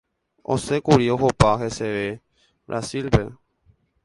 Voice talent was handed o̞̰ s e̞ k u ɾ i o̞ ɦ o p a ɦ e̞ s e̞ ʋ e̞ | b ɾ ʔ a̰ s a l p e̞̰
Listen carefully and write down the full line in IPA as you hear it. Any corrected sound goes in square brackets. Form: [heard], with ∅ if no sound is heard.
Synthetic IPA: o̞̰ s e̞ k u ɾ i o̞ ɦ o p a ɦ e̞ s e̞ ʋ e̞ | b ɾ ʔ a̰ s [i] l p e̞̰